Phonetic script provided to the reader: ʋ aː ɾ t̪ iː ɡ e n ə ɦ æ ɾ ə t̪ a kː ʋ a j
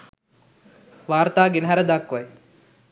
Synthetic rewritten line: ʋ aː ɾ t̪ aː ɡ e n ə ɦ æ ɾ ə d̪ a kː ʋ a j